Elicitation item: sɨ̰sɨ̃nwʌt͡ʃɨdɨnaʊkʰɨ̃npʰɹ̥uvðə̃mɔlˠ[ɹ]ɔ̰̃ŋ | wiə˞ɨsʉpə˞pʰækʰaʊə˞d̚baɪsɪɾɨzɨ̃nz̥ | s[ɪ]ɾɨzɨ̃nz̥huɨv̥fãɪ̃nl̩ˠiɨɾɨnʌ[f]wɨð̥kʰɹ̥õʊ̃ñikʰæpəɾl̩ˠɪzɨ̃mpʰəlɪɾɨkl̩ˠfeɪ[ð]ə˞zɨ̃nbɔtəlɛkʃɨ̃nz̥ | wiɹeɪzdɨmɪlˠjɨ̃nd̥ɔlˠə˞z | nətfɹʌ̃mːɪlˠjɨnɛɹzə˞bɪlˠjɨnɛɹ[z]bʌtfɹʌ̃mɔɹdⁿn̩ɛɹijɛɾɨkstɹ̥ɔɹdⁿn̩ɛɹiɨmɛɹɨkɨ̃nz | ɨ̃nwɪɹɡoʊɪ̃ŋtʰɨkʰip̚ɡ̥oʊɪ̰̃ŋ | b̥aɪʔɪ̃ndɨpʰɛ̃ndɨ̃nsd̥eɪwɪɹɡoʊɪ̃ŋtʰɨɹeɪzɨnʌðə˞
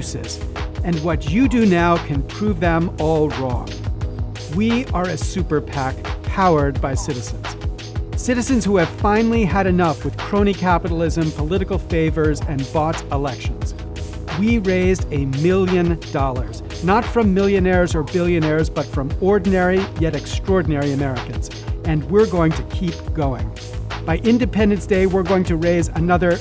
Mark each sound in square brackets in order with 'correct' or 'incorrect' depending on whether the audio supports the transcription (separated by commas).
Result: correct, correct, correct, incorrect, correct